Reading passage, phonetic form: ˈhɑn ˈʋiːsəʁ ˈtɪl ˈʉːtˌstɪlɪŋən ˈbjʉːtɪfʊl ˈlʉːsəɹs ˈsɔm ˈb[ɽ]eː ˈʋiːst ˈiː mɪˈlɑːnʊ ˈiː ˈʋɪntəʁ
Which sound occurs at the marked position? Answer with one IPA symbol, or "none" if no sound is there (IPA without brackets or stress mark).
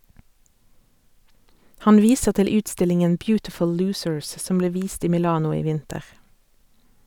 l